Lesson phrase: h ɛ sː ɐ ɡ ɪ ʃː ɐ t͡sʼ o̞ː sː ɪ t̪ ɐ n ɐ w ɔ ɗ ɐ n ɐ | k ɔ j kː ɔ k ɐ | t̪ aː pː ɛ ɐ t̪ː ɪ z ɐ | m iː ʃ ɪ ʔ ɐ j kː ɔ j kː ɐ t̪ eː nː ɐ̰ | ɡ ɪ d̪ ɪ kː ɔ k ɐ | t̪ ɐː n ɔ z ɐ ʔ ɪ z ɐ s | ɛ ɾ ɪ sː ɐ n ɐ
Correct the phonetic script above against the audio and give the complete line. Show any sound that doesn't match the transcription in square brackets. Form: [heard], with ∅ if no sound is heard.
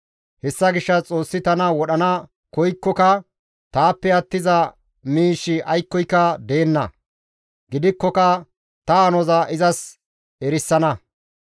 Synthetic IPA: h ɛ sː ɐ ɡ ɪ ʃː ɐ t͡sʼ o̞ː sː ɪ t̪ ɐ n ɐ w ɔ ɗ ɐ n ɐ | k ɔ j kː ɔ k ɐ | t̪ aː pː ɛ ɐ t̪ː ɪ z ɐ | m iː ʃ ɪ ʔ ɐ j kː ɔ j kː ɐ [d̪] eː nː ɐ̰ | ɡ ɪ d̪ ɪ kː ɔ k ɐ | t̪ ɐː n ɔ z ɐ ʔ ɪ z ɐ s | ɛ ɾ ɪ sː ɐ n ɐ

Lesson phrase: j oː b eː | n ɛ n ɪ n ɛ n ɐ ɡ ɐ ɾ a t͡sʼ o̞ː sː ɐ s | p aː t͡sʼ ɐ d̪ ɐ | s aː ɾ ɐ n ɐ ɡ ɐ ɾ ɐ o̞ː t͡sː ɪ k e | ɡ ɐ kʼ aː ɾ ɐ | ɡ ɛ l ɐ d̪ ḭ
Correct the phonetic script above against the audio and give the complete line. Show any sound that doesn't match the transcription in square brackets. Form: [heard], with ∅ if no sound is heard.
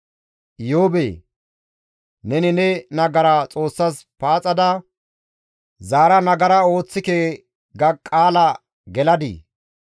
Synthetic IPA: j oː b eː | n ɛ n ɪ n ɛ n ɐ ɡ ɐ ɾ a t͡sʼ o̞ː sː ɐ s | p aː t͡sʼ ɐ d̪ ɐ | [z] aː ɾ ɐ n ɐ ɡ ɐ ɾ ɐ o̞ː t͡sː ɪ k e | ɡ ɐ kʼ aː [l] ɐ | ɡ ɛ l ɐ d̪ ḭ

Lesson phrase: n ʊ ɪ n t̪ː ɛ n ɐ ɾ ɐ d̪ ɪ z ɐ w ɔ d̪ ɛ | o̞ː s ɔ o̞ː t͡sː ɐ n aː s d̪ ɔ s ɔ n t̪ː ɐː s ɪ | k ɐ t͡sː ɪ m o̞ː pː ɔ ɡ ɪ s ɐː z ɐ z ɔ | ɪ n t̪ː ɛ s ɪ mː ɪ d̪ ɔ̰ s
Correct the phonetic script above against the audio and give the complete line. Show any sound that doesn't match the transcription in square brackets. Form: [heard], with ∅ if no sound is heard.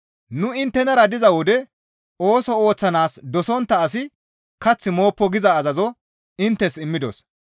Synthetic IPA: n ʊ ɪ n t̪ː ɛ n ɐ ɾ ɐ d̪ ɪ z ɐ w ɔ d̪ ɛ | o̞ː s ɔ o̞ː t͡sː ɐ n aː s d̪ ɔ s ɔ n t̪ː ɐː s ɪ | k ɐ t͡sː ɪ m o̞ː pː ɔ ɡ ɪ [z] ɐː z ɐ z ɔ | ɪ n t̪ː ɛ s ɪ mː ɪ d̪ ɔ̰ s

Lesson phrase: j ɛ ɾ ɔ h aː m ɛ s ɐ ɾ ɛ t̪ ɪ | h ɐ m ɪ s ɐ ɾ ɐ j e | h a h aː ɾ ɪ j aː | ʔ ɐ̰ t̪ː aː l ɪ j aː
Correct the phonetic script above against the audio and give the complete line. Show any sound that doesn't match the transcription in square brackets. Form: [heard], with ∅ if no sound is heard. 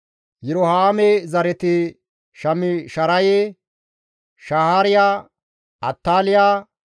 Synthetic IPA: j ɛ ɾ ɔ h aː m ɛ [z] ɐ ɾ ɛ t̪ ɪ | [ʃ] ɐ m ɪ [ʃ] ɐ ɾ ɐ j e | [ʃ] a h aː ɾ ɪ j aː | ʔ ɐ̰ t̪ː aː l ɪ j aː

